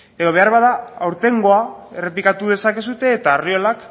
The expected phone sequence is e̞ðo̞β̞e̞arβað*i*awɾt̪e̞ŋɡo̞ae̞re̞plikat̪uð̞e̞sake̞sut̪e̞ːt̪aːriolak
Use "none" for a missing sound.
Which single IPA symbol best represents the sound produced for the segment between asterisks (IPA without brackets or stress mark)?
a